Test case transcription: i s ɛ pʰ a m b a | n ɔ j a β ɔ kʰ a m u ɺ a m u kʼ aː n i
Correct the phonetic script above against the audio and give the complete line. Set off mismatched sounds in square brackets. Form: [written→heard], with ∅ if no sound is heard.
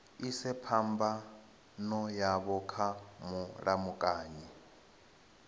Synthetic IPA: i s ɛ pʰ a m b a | n ɔ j a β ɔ kʰ a m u ɺ a m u kʼ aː [n→ɲ] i